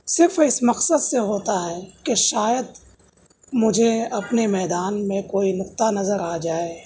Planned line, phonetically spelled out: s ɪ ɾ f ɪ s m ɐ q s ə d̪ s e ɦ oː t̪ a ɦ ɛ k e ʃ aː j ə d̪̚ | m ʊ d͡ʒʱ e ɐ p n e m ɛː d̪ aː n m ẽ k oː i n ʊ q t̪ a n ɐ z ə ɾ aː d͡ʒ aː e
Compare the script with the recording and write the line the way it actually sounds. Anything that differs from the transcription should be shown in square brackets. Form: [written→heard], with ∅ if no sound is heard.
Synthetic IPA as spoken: s ɪ ɾ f ɪ s m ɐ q s ə d̪ s e ɦ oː t̪ a ɦ ɛ k e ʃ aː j ə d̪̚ | m ʊ d͡ʒʱ e ɐ p n e m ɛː d̪ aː n m ẽ k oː i n ʊ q t̪ a n ɐ z ə ɾ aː d͡ʒ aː e

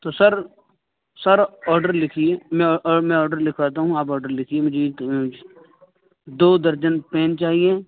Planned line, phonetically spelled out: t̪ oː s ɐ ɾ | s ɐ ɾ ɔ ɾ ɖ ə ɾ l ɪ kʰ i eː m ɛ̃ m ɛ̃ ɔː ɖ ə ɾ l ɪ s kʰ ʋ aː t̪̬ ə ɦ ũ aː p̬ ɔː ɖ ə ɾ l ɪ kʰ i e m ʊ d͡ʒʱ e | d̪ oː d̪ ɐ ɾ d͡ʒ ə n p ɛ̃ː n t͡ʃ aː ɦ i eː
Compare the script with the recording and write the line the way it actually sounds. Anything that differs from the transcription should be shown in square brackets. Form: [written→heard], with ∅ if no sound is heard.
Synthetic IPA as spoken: t̪ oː s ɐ ɾ | s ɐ ɾ [ɔ→ɔː] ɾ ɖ ə ɾ l ɪ kʰ i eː m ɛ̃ m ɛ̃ ɔː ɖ ə ɾ l ɪ [s→∅] kʰ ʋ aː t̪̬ [ə→a] ɦ ũ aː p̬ ɔː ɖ ə ɾ l ɪ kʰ i e m ʊ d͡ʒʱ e | d̪ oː d̪ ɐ ɾ d͡ʒ ə n p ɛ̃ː n t͡ʃ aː ɦ i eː

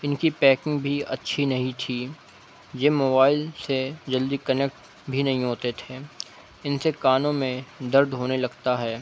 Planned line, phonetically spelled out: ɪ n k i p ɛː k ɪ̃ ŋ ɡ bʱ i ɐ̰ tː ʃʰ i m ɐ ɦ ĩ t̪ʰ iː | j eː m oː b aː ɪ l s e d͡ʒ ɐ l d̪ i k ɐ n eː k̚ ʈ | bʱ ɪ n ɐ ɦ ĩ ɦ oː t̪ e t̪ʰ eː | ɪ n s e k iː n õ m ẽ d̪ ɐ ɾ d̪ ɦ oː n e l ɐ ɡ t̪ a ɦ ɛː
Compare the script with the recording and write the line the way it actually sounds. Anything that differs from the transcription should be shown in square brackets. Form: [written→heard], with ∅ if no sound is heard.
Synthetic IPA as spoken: ɪ n k i p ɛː k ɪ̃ ŋ ɡ bʱ i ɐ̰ tː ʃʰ i [m→n] ɐ ɦ ĩ t̪ʰ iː | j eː m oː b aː ɪ l s e d͡ʒ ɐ l d̪ i k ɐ n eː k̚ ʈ | bʱ [ɪ→i] n ɐ ɦ ĩ ɦ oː t̪ e t̪ʰ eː | ɪ n s e k [iː→aː] n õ m ẽ d̪ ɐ ɾ d̪ ɦ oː n e l ɐ ɡ t̪ a ɦ ɛː

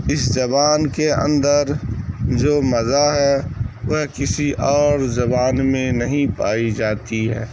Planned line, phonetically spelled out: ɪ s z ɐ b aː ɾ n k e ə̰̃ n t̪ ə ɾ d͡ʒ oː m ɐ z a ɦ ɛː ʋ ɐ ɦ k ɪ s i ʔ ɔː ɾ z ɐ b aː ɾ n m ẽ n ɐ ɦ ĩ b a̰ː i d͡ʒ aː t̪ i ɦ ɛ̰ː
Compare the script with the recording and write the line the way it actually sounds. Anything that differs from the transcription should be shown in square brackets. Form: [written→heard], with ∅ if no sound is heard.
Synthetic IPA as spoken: ɪ s z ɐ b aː [ɾ→∅] n k e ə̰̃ n [t̪→d̪] ə ɾ d͡ʒ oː m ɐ z a ɦ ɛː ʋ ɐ ɦ k ɪ s i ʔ ɔː ɾ z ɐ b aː [ɾ→∅] n m ẽ n ɐ ɦ ĩ [b→p] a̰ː i d͡ʒ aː t̪ i ɦ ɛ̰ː

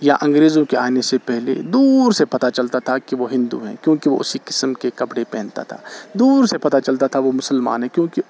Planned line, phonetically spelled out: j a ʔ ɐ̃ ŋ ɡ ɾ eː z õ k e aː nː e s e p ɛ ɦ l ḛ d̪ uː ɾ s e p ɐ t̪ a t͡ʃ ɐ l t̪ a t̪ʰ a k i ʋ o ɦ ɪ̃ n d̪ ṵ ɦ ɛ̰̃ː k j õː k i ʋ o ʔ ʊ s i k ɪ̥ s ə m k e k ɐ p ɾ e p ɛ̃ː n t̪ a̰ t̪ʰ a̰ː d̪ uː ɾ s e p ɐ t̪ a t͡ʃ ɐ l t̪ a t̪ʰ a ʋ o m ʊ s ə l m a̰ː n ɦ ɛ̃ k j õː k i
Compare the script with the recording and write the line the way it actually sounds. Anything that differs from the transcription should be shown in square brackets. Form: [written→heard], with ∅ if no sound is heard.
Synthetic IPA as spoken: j a ʔ ɐ̃ ŋ ɡ ɾ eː z õ k e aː [nː→n] e s e p ɛ ɦ l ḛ d̪ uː ɾ s e p ɐ t̪ a t͡ʃ ɐ l t̪ a t̪ʰ a k i ʋ o ɦ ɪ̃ n d̪ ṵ ɦ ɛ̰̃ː k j õː k i ʋ o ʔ ʊ s i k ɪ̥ s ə m k e k ɐ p [ɾ→ɽ] e p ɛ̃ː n t̪ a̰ t̪ʰ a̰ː d̪ uː ɾ s e p ɐ t̪ a t͡ʃ ɐ l t̪ a t̪ʰ a ʋ o m ʊ s ə l m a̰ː n ɦ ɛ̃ k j õː k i

